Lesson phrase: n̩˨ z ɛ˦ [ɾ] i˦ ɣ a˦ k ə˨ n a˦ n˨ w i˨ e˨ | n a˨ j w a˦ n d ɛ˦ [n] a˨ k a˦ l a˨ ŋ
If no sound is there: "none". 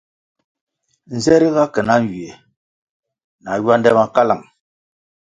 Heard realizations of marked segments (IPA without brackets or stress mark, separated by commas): ɾ, m